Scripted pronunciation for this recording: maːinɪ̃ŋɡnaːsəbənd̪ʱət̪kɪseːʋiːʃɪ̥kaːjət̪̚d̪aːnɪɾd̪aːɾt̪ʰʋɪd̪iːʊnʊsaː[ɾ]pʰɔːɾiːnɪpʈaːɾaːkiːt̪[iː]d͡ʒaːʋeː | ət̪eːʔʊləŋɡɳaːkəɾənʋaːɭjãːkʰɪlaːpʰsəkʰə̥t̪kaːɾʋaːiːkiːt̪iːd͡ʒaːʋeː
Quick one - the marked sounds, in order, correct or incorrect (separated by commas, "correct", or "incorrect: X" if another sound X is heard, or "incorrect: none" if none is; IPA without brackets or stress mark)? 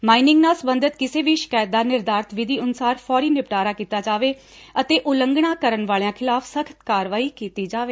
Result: correct, incorrect: aː